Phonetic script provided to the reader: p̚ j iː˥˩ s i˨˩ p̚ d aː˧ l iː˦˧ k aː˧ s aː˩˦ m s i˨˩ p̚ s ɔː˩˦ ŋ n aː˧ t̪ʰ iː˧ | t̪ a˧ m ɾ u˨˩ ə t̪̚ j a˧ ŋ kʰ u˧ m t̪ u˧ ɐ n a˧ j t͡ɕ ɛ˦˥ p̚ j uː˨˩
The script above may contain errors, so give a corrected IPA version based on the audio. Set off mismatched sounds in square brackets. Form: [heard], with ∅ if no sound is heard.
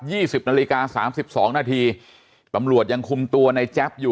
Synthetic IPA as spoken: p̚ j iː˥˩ s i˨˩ p̚ [n] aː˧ l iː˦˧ k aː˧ s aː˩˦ m s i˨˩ p̚ s ɔː˩˦ ŋ n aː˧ t̪ʰ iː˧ | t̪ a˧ m ɾ u˨˩ ə t̪̚ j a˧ ŋ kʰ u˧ m t̪ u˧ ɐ n a˧ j t͡ɕ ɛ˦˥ p̚ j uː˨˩